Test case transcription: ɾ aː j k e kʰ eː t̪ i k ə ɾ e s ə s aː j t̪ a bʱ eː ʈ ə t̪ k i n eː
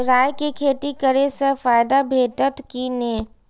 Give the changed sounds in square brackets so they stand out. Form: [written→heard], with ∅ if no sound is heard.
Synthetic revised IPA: ɾ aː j k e kʰ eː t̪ i k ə ɾ e s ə [s→f] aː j [t̪→d̪] a bʱ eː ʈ ə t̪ k i n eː